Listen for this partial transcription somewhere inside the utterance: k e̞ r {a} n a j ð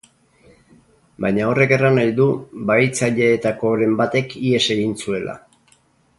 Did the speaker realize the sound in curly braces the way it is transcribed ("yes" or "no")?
yes